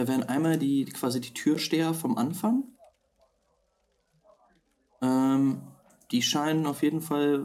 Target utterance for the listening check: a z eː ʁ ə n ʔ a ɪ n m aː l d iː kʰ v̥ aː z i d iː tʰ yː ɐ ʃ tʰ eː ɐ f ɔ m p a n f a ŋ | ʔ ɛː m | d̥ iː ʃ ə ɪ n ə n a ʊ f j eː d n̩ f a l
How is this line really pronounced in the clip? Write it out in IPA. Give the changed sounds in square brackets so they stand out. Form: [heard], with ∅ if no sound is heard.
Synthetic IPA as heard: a [v] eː ʁ ə n ʔ a ɪ n m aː l d iː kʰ v̥ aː z i d iː tʰ yː ɐ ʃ [t] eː ɐ f ɔ m [ʔ] a n f a ŋ | ʔ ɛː m | d̥ iː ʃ [a] ɪ n ə n a ʊ f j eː d n̩ f a l